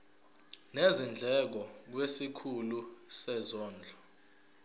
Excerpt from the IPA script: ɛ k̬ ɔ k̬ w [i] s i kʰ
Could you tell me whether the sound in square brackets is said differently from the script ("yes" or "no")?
yes